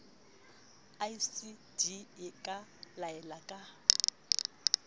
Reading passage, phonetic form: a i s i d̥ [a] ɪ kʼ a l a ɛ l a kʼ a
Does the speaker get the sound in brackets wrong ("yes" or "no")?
yes